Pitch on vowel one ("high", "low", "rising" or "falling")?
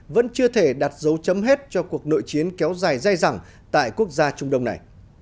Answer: rising